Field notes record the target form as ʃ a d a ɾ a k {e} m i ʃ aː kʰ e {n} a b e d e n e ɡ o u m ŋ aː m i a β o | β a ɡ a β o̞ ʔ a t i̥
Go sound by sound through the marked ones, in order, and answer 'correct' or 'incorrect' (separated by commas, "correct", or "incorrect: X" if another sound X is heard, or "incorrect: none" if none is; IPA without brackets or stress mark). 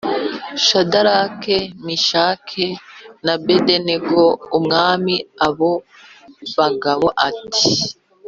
correct, correct